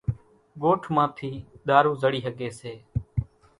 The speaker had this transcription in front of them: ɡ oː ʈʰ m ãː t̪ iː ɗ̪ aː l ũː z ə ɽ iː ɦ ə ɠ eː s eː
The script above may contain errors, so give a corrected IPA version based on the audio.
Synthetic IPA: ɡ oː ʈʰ m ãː t̪ʰ iː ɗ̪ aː ɾ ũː z ə ɽ iː ɦ ə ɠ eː s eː

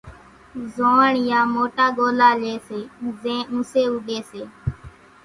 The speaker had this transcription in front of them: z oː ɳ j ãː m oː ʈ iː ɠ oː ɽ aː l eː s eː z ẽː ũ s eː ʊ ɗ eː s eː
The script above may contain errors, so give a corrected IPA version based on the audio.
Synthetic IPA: z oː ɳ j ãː m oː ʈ aː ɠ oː l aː l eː s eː z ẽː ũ s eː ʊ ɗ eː s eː

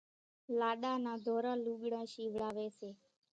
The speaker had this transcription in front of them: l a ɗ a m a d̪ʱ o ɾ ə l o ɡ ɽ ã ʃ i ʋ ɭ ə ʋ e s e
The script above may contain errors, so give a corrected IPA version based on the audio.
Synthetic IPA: l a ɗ a n a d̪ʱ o ɾ a l u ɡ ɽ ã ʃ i ʋ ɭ a ʋ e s e

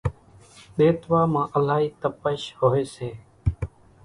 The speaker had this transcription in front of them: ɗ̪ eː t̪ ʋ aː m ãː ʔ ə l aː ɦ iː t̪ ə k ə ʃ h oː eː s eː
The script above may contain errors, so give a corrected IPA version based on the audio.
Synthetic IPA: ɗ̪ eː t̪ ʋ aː m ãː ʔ ə l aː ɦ iː t̪ ə p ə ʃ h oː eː s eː

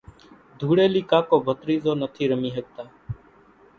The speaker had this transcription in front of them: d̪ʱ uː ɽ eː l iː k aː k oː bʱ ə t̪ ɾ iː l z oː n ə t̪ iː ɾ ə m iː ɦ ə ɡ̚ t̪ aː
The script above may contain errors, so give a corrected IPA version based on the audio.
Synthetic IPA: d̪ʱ uː ɽ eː l iː k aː k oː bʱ ə t̪ ɾ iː z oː n ə t̪ʰ iː ɾ ə m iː ɦ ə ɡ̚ t̪ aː

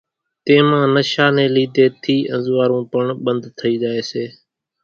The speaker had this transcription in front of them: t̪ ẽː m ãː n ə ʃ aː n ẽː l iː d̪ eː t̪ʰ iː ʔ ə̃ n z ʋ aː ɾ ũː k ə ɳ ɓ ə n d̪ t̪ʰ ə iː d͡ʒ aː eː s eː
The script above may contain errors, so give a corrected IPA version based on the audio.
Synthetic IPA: t̪ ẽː m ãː n ə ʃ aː n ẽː l iː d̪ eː t̪ʰ iː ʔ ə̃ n z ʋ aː ɾ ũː p ə ɳ ɓ ə n d̪ t̪ʰ ə iː d͡ʒ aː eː s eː

